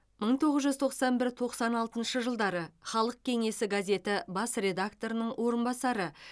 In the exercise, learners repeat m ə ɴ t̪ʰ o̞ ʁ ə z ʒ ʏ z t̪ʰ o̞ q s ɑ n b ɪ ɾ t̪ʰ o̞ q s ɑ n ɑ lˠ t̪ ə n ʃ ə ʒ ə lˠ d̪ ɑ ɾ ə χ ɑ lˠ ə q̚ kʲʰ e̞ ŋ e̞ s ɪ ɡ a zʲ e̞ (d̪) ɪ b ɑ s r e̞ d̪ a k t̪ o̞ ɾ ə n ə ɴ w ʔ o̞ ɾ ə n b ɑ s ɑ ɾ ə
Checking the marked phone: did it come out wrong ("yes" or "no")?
yes